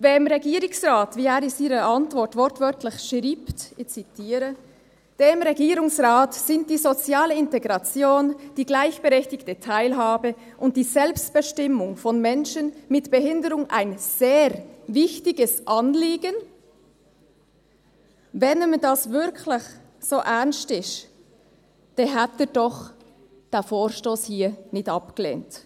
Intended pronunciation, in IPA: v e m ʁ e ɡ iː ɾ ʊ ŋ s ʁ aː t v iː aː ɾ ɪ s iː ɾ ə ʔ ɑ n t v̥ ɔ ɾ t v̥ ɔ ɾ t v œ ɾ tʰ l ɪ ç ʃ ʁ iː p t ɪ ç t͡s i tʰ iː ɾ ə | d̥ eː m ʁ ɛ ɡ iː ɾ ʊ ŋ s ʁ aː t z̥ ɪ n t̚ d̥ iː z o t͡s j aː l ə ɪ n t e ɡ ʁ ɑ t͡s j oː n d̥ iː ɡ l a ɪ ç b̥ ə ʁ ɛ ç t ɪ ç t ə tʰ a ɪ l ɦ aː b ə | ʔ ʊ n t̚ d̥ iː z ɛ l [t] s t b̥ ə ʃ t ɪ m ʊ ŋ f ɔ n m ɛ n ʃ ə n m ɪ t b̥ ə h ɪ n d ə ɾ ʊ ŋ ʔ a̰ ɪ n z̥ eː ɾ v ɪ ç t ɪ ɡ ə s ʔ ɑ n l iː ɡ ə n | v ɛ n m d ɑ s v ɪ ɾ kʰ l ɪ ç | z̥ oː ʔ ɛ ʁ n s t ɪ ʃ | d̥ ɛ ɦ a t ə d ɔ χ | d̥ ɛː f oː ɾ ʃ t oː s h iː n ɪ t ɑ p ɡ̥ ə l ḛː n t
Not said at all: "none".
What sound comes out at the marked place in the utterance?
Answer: p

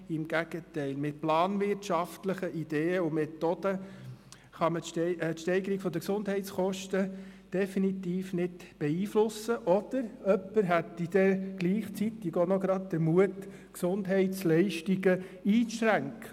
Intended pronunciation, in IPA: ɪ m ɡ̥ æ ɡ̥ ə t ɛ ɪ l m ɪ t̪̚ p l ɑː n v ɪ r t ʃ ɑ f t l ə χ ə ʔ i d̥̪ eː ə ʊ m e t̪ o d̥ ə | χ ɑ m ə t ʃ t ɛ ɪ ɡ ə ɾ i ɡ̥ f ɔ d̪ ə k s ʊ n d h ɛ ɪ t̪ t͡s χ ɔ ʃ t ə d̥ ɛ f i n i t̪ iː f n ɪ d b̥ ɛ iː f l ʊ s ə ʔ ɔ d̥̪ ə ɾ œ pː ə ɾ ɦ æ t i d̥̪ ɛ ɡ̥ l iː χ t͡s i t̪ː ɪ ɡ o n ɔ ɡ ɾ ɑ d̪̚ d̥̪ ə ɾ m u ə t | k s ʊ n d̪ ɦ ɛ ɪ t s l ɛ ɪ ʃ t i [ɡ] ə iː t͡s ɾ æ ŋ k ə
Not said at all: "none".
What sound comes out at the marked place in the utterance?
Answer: ɡ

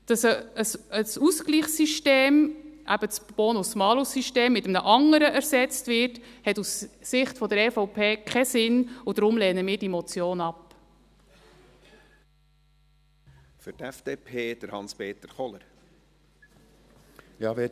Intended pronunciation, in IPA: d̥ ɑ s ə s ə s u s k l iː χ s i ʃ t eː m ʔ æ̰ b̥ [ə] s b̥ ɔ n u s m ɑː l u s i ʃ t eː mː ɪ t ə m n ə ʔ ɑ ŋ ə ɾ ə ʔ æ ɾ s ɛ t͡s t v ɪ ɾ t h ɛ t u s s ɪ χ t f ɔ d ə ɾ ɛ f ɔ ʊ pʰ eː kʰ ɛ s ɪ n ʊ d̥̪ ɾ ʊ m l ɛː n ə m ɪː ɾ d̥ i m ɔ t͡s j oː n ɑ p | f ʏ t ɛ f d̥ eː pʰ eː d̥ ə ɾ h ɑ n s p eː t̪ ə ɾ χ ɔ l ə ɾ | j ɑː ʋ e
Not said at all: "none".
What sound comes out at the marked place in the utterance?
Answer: ə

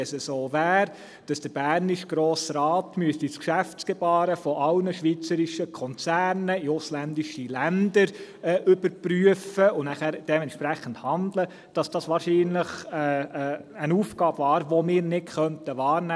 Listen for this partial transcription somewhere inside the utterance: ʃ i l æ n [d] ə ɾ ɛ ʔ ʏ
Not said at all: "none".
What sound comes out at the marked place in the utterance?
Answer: d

